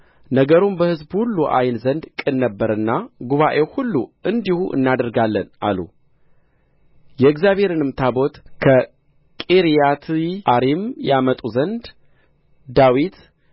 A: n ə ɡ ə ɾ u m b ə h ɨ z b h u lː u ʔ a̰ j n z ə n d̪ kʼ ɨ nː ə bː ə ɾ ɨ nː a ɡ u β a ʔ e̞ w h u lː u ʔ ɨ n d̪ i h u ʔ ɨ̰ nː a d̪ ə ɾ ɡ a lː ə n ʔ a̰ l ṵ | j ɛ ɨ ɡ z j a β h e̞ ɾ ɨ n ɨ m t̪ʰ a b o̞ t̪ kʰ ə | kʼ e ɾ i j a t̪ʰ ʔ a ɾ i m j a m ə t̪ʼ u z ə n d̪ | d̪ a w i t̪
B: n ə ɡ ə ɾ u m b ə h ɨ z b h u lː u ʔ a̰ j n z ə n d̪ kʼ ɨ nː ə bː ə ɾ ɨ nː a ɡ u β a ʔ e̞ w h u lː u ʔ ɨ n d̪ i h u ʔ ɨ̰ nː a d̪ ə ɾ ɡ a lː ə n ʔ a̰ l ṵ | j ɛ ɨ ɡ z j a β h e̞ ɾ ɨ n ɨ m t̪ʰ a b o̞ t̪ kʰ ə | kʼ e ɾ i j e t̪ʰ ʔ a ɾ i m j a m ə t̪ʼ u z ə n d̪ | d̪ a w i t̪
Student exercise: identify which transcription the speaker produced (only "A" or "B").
A